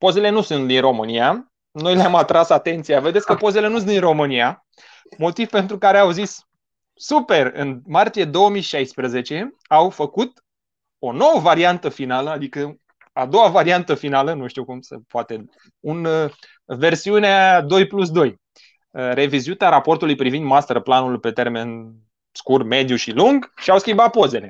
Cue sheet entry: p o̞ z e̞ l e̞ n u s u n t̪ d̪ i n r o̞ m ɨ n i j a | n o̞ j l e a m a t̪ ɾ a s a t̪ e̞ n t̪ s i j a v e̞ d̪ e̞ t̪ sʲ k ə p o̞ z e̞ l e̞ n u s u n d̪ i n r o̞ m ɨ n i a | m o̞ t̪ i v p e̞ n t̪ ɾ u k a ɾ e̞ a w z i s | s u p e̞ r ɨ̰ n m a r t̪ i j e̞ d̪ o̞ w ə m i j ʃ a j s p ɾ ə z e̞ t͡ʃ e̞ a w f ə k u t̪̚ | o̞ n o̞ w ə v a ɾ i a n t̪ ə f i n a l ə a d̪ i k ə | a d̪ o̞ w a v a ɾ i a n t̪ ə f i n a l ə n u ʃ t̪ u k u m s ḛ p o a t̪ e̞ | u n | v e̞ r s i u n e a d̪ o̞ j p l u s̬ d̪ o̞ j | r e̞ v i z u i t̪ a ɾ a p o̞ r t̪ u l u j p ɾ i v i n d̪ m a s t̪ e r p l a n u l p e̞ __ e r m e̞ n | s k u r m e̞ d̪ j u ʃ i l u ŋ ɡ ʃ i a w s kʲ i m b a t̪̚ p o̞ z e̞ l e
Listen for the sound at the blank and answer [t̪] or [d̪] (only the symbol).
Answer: t̪